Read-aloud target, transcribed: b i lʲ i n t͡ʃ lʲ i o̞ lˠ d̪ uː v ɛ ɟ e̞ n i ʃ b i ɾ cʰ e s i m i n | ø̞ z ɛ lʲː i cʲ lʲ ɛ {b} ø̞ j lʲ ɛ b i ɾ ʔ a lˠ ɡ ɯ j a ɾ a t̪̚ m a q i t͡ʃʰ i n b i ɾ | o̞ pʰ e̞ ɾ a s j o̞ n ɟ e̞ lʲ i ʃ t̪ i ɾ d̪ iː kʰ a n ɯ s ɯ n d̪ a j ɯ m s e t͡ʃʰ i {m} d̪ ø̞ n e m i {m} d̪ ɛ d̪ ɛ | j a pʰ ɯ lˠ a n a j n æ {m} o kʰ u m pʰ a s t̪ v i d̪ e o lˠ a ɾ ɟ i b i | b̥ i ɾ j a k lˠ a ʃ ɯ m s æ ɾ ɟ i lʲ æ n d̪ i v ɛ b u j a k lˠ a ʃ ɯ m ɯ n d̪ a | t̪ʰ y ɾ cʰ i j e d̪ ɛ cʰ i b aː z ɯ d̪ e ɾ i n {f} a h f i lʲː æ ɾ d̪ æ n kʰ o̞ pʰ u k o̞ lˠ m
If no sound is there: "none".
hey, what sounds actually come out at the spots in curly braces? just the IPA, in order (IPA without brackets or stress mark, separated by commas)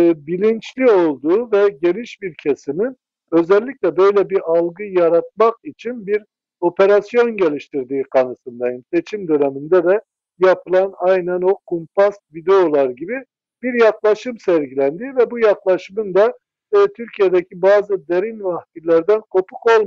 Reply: b, m, n, n, v